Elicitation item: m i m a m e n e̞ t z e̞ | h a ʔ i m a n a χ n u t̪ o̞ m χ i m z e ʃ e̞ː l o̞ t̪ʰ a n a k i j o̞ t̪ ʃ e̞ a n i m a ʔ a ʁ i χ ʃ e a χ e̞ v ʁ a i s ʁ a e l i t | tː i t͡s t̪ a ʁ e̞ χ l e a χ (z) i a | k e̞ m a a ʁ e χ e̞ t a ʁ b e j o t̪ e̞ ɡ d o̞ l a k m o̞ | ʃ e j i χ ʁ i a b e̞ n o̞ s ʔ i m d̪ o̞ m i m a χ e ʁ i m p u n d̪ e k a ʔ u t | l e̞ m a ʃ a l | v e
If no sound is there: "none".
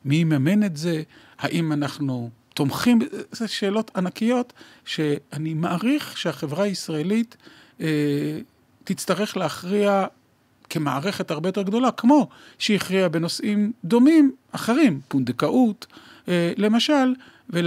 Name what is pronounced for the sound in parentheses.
ʁ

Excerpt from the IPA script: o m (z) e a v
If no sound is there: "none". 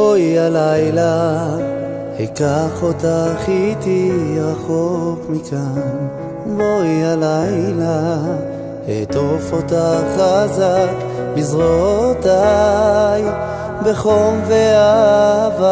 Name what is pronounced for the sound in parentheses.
v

